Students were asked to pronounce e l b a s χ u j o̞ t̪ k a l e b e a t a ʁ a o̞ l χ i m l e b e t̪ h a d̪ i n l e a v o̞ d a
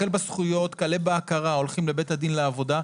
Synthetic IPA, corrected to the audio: e l b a s χ u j o̞ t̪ k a l e b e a k a ʁ a o̞ l χ i m l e b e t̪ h a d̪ i n l e a v o̞ d a